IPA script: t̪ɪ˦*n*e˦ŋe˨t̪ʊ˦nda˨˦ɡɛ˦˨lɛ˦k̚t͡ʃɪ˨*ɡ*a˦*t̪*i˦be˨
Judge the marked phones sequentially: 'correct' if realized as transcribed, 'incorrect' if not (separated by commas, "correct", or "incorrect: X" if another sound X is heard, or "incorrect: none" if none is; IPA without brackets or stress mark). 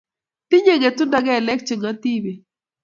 incorrect: ɲ, incorrect: ŋ, correct